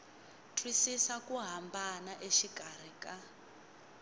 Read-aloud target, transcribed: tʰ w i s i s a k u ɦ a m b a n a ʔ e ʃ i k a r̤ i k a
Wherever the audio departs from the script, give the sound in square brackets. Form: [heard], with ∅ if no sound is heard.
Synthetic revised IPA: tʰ w i s i s a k u ɦ a m b a n a ʔ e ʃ i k a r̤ i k a